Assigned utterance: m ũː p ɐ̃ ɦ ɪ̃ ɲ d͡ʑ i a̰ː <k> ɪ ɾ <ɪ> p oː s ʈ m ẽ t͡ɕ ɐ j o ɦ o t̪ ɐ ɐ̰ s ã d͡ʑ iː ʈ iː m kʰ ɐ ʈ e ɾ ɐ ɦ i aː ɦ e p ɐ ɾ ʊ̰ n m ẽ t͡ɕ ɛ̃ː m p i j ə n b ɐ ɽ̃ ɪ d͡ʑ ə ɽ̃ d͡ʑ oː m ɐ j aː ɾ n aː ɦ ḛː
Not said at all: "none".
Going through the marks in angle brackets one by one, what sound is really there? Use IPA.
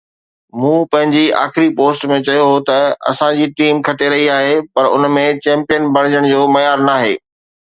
x, i

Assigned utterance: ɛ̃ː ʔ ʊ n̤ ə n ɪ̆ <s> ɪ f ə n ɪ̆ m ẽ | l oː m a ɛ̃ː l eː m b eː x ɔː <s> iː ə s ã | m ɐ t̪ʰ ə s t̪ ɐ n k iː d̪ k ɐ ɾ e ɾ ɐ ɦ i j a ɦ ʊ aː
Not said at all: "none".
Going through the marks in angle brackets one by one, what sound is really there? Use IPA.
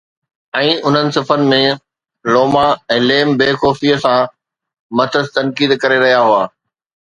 s, f

